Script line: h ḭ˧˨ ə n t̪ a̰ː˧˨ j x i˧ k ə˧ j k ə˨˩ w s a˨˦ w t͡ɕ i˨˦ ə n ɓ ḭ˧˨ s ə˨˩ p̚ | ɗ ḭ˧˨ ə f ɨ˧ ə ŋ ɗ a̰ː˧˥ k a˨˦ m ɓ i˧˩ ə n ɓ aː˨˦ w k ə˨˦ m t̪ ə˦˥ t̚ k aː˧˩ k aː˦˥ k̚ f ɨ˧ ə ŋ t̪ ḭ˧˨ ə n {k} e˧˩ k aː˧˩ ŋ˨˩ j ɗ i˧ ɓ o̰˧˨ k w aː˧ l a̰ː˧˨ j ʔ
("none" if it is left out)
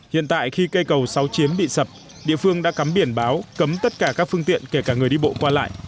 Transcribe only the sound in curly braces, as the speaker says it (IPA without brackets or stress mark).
k